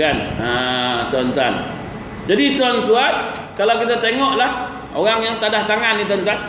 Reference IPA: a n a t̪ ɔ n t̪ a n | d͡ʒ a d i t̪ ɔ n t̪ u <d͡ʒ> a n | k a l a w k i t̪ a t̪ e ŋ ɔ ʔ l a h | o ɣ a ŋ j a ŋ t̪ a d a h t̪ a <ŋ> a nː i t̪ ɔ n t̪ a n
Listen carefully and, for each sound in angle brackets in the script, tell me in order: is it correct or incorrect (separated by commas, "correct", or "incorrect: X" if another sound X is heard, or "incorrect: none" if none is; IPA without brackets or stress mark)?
incorrect: none, correct